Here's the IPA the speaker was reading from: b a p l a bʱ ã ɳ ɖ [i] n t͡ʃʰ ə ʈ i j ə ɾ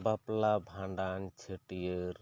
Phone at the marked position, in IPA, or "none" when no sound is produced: a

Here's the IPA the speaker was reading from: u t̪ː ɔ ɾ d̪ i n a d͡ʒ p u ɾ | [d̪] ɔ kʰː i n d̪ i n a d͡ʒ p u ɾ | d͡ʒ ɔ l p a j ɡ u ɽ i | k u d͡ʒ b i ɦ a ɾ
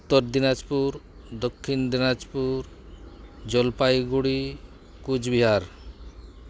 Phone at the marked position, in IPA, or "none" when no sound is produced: d̪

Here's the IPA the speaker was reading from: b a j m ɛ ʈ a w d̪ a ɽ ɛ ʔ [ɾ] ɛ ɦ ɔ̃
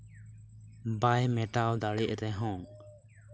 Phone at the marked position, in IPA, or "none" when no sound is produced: ɾ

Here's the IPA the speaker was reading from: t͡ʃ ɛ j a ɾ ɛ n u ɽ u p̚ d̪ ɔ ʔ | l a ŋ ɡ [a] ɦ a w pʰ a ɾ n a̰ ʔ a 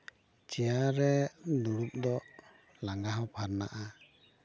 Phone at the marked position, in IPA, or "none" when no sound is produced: a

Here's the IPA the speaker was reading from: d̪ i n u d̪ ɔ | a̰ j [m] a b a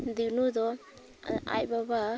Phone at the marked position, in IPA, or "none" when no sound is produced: b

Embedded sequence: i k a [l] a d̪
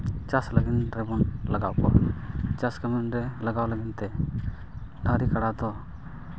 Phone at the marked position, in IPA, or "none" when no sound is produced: ɽ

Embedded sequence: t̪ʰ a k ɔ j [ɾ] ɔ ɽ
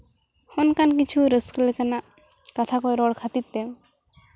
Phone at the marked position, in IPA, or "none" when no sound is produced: ɾ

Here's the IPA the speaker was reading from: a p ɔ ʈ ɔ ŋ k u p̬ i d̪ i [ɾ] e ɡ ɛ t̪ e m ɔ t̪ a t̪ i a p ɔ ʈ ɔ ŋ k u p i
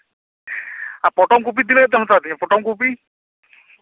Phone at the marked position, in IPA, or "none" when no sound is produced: l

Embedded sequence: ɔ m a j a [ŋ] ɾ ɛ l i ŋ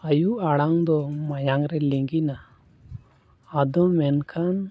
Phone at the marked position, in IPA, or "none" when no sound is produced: ŋ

